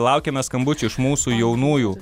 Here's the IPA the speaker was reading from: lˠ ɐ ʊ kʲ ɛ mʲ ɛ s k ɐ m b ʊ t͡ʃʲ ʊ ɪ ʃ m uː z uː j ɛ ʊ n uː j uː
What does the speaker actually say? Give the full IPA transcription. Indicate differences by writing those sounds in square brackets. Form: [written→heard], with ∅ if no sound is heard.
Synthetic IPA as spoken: lˠ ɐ ʊ kʲ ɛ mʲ ɛ s k ɐ m b ʊ t͡ʃʲ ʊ ɪ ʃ m uː [z→s] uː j ɛ ʊ n uː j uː